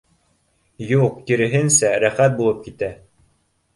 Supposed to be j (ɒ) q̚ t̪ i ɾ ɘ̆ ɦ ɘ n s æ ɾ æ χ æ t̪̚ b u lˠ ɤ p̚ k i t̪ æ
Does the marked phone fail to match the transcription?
yes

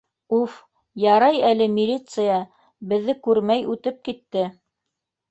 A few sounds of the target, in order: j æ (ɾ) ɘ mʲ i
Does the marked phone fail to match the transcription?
yes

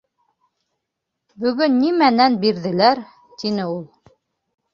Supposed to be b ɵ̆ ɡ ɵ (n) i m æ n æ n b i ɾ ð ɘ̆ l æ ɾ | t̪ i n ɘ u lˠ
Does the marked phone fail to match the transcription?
yes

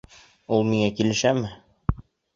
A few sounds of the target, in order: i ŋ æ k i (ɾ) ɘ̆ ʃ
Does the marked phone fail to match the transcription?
yes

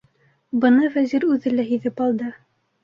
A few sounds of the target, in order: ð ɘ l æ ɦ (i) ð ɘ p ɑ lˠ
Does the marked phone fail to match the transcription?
no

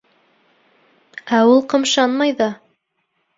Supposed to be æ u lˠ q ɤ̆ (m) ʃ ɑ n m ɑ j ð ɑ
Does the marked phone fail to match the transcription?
no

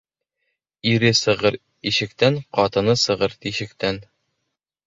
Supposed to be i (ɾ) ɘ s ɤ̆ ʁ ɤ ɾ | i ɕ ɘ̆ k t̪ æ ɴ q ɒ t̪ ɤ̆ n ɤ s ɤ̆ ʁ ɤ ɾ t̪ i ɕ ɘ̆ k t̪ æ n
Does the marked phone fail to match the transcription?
no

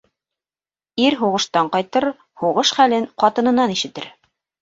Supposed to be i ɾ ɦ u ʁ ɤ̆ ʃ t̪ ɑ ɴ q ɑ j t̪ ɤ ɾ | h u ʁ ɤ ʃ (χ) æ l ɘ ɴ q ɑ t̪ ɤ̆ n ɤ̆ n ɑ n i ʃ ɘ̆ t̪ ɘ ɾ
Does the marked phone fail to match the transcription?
no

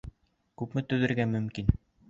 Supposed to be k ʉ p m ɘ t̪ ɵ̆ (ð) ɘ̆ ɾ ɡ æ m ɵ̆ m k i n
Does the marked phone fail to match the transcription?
no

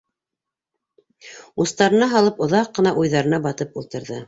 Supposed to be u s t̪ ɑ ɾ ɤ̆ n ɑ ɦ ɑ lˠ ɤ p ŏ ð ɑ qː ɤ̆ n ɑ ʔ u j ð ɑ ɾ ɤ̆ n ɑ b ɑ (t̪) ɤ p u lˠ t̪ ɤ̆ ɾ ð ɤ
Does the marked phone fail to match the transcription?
no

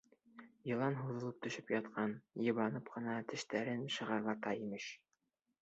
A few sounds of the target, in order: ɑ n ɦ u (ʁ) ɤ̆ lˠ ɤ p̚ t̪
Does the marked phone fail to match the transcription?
yes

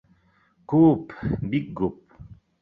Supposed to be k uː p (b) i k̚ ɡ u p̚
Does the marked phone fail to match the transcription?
no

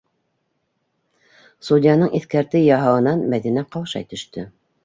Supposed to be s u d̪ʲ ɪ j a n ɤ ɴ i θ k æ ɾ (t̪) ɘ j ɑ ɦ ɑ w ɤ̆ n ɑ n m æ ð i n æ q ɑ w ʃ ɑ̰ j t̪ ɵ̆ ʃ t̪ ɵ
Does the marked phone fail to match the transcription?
no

